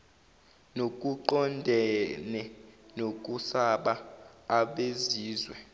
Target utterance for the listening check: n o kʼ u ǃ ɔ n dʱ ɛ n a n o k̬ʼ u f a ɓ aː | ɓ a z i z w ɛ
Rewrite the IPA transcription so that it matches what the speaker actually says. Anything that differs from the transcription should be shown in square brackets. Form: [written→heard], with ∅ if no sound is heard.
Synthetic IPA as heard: n o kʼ u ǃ ɔ n dʱ ɛ n [a→ɛ] n o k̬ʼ u [f→s] a ɓ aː | ɓ [a→e] z [i→iː] z w ɛ